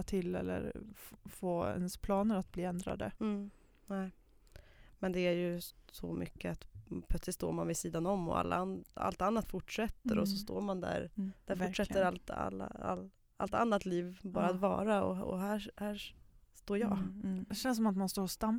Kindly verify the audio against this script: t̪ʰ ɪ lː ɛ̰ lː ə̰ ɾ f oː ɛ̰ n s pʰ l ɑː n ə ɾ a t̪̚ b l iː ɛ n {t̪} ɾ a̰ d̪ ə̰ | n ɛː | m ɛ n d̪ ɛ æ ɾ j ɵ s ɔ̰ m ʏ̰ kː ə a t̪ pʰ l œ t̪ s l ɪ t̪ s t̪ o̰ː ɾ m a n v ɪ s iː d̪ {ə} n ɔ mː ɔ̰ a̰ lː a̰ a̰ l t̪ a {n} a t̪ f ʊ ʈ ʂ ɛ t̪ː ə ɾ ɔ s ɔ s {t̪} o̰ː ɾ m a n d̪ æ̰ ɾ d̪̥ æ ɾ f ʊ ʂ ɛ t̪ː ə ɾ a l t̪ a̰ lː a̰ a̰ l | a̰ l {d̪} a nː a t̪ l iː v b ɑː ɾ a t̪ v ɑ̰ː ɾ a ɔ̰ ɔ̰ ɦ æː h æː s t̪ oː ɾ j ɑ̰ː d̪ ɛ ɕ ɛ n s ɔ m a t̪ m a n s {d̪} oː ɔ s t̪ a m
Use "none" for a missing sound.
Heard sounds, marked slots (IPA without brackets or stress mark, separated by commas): d̪, a, nː, t̪, t̪, t̪